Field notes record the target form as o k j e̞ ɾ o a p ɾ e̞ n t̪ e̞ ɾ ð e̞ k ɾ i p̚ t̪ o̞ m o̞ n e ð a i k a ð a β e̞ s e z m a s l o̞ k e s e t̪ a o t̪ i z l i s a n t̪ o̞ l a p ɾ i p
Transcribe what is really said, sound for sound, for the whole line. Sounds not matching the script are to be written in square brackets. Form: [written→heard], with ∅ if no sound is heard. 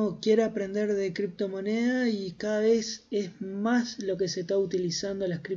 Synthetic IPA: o k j e̞ ɾ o a p ɾ e̞ n [t̪→d̪] e̞ ɾ ð e̞ k ɾ i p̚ t̪ o̞ m o̞ n e ð a i k a ð a β e̞ s e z m a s l o̞ k e s e t̪ a [o→u] t̪ i [z→∅] l i s a n [t̪→d̪] o̞ l a [p→k] ɾ i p